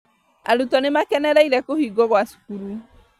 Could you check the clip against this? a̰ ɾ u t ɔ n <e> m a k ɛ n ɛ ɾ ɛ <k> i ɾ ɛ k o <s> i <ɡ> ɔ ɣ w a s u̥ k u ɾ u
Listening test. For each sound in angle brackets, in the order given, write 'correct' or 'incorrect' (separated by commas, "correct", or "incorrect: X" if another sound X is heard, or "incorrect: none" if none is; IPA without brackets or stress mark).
correct, incorrect: none, incorrect: h, correct